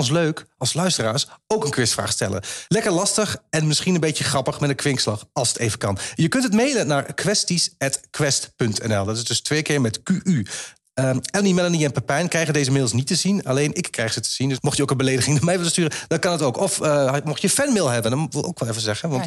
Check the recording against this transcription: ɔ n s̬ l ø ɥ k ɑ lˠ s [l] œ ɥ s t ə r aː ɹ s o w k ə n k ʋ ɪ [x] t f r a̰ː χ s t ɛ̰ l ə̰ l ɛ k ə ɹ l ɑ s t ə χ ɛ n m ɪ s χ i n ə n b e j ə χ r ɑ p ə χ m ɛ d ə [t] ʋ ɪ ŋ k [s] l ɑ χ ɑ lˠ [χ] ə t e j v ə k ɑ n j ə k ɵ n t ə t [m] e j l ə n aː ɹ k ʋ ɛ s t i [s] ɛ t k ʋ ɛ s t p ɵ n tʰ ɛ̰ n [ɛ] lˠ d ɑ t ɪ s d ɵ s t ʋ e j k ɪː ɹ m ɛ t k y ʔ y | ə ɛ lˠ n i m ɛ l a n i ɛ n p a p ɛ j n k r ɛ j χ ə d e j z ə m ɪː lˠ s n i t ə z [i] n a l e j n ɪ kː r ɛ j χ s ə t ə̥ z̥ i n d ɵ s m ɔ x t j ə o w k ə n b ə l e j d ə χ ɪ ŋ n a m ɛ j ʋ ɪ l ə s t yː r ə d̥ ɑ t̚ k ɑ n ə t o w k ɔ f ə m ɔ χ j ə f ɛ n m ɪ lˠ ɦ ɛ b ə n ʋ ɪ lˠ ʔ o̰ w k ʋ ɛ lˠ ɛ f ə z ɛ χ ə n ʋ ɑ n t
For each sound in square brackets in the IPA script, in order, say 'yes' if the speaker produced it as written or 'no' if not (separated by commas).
yes, no, no, yes, no, yes, yes, yes, yes